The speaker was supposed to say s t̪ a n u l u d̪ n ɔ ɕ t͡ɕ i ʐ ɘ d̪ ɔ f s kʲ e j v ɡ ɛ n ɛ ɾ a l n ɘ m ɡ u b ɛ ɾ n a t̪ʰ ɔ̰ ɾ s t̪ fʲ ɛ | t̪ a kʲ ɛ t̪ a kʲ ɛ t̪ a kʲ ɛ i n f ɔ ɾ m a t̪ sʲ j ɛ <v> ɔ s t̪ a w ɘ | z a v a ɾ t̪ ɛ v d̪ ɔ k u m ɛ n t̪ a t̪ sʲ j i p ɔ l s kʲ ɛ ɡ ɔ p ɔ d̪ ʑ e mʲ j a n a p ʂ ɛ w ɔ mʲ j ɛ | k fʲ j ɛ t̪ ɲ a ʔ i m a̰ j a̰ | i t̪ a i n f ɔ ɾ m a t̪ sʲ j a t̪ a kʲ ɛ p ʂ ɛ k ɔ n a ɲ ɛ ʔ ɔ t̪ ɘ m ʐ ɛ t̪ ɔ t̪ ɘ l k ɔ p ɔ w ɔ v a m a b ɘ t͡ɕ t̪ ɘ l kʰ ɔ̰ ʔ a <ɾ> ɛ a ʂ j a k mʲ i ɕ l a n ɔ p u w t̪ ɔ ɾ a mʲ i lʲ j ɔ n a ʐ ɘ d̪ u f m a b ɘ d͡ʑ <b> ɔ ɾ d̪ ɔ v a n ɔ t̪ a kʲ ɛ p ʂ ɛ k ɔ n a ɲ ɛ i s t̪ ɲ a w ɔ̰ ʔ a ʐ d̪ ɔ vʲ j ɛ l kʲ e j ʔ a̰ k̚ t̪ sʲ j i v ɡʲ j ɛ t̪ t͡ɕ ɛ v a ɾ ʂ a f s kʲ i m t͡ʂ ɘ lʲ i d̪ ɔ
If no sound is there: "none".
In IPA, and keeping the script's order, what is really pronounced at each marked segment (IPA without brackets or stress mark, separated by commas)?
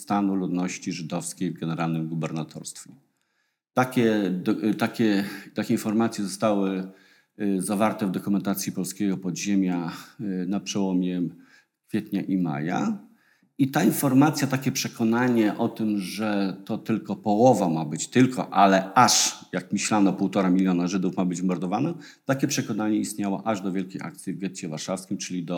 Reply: z, l, m